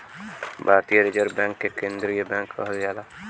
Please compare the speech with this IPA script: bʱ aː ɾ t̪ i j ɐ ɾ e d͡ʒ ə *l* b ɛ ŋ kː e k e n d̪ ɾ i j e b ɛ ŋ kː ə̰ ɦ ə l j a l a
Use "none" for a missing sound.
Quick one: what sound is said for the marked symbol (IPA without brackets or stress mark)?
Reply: ɾ